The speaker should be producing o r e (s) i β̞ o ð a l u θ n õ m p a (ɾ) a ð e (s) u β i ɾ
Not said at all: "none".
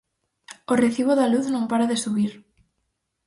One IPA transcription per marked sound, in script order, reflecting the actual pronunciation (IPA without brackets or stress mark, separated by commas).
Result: θ, ɾ, s